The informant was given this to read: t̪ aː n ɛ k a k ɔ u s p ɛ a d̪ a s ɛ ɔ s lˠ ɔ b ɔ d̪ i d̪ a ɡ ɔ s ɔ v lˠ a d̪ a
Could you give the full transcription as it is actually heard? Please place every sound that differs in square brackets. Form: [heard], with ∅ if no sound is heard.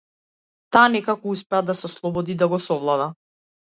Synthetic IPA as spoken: t̪ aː n ɛ k a k ɔ u s p ɛ a d̪ a s ɛ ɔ s lˠ ɔ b ɔ d̪ i d̪ a ɡ ɔ s ɔ v lˠ a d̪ a